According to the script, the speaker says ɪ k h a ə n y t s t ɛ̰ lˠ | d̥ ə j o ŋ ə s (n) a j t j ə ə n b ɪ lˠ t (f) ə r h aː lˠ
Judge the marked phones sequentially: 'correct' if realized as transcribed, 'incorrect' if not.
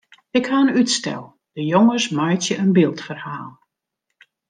incorrect, correct

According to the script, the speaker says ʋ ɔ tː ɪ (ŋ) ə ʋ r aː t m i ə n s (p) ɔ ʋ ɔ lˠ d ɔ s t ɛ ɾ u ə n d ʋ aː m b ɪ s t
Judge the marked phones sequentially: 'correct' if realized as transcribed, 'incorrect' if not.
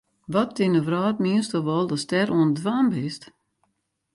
incorrect, incorrect

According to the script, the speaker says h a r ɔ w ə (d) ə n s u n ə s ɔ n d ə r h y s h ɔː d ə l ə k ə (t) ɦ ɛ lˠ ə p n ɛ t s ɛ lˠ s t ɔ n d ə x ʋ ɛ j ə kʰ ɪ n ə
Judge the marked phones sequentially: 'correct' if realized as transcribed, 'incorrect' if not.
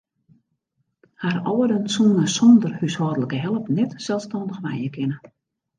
correct, incorrect

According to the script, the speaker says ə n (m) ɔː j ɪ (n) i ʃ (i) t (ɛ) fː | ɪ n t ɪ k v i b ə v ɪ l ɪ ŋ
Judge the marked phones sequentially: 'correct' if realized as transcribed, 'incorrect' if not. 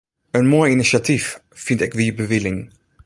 correct, correct, incorrect, incorrect

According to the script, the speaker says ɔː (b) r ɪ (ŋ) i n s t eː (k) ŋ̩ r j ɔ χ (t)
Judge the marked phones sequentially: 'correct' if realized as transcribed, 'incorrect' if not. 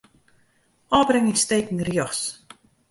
correct, correct, correct, incorrect

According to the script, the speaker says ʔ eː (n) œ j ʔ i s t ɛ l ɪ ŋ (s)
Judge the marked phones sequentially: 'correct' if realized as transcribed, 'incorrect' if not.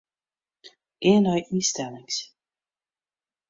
correct, correct

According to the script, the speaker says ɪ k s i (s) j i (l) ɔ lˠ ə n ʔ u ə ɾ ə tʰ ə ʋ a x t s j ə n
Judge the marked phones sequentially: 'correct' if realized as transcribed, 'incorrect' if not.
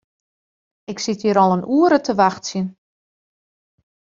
incorrect, incorrect

